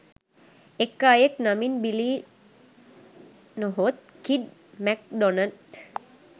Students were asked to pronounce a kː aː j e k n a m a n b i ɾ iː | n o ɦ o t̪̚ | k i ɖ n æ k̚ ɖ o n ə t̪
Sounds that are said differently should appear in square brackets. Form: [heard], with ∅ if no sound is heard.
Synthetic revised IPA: [e] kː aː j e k n a m [i] n b i [l] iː | n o ɦ o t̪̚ | k i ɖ [m] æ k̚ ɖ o n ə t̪